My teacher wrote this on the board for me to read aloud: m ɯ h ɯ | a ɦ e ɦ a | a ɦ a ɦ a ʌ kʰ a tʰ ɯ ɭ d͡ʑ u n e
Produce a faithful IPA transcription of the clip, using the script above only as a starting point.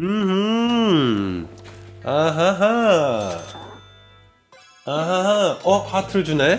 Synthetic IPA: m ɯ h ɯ | a ɦ a ɦ a | a ɦ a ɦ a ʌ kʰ a tʰ ɯ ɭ d͡ʑ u n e

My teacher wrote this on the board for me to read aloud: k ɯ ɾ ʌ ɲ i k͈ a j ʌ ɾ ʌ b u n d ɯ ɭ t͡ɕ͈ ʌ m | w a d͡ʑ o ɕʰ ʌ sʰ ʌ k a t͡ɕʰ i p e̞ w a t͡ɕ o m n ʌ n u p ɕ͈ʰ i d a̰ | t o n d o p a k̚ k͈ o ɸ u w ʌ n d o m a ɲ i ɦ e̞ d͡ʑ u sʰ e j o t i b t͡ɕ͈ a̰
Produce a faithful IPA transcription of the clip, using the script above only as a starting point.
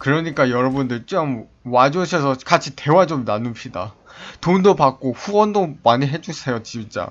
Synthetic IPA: k ɯ ɾ ʌ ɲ i k͈ a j ʌ ɾ ʌ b u n d ɯ ɭ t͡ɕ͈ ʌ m | w a d͡ʑ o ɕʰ ʌ sʰ ʌ k a t͡ɕʰ i t e̞ w a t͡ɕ o m n a n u p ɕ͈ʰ i d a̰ | t o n d o p a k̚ k͈ o ɸ u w ʌ n d o m a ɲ i ɦ e̞ d͡ʑ u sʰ e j o t͡ɕ i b t͡ɕ͈ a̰

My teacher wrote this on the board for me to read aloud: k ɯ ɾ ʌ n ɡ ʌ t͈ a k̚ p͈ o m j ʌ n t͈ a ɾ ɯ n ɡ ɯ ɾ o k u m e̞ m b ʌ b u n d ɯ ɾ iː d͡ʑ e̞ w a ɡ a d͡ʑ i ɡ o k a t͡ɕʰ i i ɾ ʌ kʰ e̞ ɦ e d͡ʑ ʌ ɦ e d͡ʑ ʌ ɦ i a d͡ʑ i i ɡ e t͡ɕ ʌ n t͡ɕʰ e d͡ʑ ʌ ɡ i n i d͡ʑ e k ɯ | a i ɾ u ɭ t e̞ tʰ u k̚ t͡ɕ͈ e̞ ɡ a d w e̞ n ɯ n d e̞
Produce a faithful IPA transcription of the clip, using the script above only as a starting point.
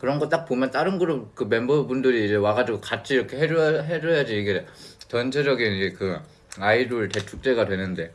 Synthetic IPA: k ɯ ɾ ʌ n ɡ ʌ t͈ a k̚ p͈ o m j ʌ n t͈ a ɾ ɯ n ɡ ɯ ɾ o k ɯ m e̞ m b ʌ b u n d ɯ ɾ iː d͡ʑ e̞ w a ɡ a d͡ʑ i ɡ o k a t͡ɕʰ i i ɾ ʌ kʰ e̞ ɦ e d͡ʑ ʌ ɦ e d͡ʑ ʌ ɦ j a d͡ʑ i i ɡ e t͡ɕ ʌ n t͡ɕʰ e d͡ʑ ʌ ɡ i n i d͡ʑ e k ɯ | a i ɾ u ɭ t e̞ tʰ u k̚ t͡ɕ͈ e̞ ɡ a d w e̞ n ɯ n d e̞

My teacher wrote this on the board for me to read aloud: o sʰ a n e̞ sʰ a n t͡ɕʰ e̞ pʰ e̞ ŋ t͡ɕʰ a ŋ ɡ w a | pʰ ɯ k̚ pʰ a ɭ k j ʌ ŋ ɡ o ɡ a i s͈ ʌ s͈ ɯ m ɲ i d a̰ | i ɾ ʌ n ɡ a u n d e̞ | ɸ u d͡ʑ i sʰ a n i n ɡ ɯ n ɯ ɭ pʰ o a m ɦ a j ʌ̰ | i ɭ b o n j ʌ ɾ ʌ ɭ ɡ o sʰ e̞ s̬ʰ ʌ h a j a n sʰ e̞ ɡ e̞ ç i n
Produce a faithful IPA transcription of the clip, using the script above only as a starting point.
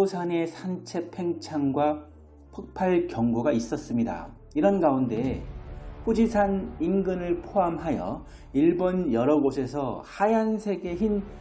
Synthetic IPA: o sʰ a n e̞ sʰ a n t͡ɕʰ e̞ pʰ e̞ ŋ t͡ɕʰ a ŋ ɡ w a | pʰ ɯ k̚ pʰ a ɭ k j ʌ ŋ ɡ o ɡ a i s͈ ʌ s͈ ɯ m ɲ i d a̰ | i ɾ ʌ n ɡ a u n d e̞ | ɸ u d͡ʑ i sʰ a n i n ɡ ɯ n ɯ ɭ pʰ o a m ɦ a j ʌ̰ | i ɭ b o n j ʌ ɾ ʌ ɡ o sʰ e̞ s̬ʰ ʌ h a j a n sʰ e̞ ɡ e̞ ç i n

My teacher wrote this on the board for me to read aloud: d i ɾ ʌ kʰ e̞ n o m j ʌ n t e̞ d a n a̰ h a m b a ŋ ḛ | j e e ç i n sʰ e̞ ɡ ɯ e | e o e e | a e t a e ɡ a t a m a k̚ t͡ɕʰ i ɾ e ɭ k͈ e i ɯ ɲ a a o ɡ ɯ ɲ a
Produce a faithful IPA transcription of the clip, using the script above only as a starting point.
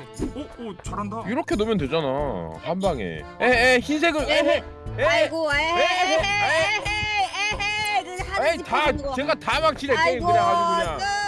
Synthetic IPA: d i ɾ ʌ kʰ e̞ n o m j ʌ n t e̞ d͡ʑ a n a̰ h a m b a ŋ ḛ | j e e ç i n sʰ e̞ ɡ ɯ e | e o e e | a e t a e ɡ a t a m a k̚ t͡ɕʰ i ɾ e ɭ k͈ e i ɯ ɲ a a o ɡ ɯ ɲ a

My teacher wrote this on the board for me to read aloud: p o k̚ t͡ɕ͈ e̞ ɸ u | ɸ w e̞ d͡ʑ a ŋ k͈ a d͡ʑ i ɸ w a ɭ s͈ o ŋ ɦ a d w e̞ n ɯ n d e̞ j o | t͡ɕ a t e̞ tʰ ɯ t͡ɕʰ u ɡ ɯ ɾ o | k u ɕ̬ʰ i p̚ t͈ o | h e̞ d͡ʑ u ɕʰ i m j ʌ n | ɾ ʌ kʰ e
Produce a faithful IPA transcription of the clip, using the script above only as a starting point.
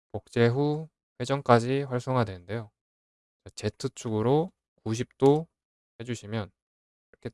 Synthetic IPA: p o k̚ t͡ɕ͈ e̞ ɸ u | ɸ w e̞ d͡ʑ ʌ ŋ k͈ a d͡ʑ i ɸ w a ɭ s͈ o ŋ ɦ a d w e̞ n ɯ n d e̞ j o | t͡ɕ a t͡ɕ e̞ tʰ ɯ t͡ɕʰ u ɡ ɯ ɾ o | k u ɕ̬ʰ i p̚ t͈ o | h e̞ d͡ʑ u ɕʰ i m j ʌ n | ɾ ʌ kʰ e

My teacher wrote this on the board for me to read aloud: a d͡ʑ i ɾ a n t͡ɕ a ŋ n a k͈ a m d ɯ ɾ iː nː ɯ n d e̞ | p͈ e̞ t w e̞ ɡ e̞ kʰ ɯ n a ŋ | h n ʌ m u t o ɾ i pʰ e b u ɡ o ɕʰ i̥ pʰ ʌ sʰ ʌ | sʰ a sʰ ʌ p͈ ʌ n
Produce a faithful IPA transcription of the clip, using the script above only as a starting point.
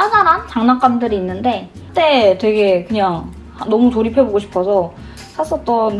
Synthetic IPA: a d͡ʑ a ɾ a n t͡ɕ a ŋ n a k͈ a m d ɯ ɾ iː nː ɯ n d e̞ | t͈ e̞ t w e̞ ɡ e̞ k ɯ ɲ a ŋ | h n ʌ m u t o ɾ i pʰ e b o ɡ o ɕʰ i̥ pʰ ʌ sʰ ʌ | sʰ a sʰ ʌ t͈ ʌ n

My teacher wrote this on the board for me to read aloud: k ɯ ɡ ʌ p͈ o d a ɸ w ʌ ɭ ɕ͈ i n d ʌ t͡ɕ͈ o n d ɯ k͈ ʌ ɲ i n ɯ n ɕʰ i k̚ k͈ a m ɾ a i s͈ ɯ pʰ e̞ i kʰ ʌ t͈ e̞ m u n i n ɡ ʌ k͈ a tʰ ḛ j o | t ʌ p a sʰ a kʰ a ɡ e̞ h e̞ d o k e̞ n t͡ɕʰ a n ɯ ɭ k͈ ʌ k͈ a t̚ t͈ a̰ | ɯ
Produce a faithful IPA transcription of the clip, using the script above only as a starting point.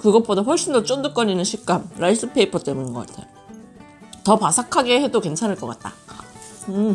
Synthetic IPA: k ɯ ɡ ʌ p͈ o d a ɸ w ʌ ɭ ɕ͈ i n d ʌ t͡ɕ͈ o n d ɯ k͈ ʌ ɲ i n ɯ n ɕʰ i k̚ k͈ a m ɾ a i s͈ ɯ pʰ e̞ i pʰ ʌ t͈ e̞ m u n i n ɡ ʌ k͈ a tʰ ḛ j o | t ʌ p a sʰ a kʰ a ɡ e̞ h e̞ d o k e̞ n t͡ɕʰ a n ɯ ɭ k͈ ʌ k͈ a t̚ t͈ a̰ | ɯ

